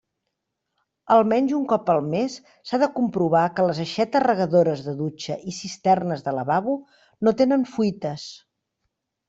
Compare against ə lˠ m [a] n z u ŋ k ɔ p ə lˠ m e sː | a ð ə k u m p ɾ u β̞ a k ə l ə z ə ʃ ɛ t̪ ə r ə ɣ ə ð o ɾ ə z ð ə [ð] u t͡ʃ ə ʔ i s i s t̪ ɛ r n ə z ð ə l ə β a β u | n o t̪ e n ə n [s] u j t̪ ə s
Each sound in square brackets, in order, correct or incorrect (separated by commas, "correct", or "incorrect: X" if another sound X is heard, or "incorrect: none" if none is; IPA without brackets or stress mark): incorrect: ɛ, correct, incorrect: f